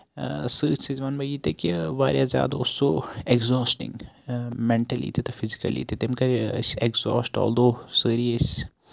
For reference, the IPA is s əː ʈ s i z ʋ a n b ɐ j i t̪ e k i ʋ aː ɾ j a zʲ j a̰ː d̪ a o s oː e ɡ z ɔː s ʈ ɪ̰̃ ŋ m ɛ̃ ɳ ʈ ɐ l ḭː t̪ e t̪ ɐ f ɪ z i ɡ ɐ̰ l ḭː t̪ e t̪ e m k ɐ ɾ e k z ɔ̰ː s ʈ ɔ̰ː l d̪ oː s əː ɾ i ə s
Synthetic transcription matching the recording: s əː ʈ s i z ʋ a n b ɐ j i t̪ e k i ʋ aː ɾ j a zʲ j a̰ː d̪ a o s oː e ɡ z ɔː s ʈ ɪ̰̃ ŋ m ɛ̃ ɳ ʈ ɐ l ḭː t̪ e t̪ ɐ f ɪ z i k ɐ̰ l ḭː t̪ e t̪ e m k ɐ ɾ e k z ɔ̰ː s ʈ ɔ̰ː l d̪ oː s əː ɾ i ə s